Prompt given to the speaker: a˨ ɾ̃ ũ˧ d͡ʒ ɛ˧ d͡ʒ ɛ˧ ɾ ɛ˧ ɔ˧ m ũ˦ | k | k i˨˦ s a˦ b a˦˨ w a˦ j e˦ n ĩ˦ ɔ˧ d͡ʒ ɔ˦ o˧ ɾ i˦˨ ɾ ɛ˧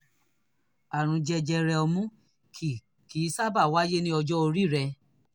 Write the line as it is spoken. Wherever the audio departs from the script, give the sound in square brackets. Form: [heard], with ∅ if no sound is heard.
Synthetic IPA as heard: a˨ ɾ̃ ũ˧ d͡ʒ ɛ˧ d͡ʒ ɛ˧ ɾ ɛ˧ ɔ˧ m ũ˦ | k | k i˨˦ s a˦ b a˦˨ w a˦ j e˦ n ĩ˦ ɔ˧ d͡ʒ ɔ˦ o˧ ɾ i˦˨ ɾ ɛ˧